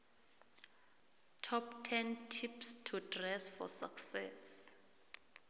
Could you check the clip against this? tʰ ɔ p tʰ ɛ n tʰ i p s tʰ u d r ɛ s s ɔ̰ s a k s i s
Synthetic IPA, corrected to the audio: tʰ ɔ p tʰ ɛ n tʰ i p s tʰ u d r ɛ s f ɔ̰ s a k s ɛ s